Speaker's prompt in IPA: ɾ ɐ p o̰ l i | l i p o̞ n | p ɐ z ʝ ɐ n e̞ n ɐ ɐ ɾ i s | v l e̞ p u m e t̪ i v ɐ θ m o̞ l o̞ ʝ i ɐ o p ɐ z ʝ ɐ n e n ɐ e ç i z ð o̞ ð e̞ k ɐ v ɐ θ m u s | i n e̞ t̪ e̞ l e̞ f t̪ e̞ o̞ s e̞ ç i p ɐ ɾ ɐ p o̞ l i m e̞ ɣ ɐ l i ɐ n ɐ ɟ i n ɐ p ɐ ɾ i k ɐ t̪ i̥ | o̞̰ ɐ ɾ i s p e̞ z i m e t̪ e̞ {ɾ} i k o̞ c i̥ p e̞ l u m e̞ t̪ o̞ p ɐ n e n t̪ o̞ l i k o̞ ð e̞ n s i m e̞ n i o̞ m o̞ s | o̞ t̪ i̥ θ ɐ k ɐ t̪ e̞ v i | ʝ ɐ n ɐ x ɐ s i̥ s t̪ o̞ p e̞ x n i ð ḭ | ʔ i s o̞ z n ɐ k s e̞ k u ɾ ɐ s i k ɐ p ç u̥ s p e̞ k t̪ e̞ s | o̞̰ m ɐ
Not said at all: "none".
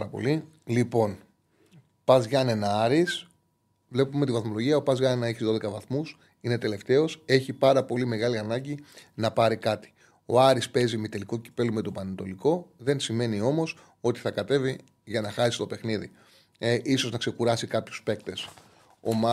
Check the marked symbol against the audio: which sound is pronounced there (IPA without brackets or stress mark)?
l